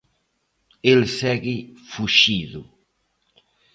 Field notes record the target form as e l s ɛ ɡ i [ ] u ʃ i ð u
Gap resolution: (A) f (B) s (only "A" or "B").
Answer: A